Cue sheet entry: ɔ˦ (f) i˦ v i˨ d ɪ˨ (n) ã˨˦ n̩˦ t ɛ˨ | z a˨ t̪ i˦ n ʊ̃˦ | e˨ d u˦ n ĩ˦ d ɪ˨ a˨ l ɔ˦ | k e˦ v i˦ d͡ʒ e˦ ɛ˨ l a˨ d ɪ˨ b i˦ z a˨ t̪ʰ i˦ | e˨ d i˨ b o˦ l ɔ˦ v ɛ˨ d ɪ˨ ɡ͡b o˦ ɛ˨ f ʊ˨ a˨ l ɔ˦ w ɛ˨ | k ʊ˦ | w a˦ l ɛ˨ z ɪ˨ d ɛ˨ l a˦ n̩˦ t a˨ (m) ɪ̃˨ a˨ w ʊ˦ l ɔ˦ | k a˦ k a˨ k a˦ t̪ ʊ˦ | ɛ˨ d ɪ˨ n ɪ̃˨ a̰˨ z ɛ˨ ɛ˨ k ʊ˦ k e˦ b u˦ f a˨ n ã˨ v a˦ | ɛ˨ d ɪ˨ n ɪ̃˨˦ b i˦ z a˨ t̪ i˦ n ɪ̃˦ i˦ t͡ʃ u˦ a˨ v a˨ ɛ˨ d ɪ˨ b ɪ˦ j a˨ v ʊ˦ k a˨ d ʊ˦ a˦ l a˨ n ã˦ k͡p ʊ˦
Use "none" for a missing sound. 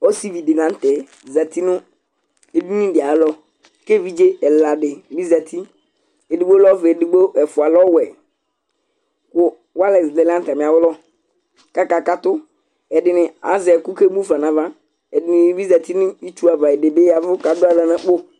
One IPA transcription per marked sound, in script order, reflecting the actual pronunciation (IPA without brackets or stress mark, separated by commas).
s, n, m